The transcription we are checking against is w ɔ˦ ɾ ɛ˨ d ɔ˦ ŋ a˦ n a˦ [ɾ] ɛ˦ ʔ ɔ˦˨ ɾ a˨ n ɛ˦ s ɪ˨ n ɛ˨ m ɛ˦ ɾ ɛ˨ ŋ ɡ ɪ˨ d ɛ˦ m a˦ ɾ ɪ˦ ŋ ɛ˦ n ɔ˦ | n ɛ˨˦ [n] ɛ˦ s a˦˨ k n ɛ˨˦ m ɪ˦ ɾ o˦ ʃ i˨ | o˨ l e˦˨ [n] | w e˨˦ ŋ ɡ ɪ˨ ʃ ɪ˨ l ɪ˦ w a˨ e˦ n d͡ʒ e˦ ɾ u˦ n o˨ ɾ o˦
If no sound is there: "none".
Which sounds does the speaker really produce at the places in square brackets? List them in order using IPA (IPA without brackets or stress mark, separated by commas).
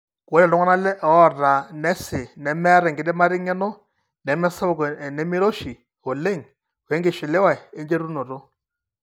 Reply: l, m, ŋ